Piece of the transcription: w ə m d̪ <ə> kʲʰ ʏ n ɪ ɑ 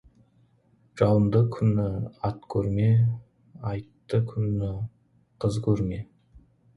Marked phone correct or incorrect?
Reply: correct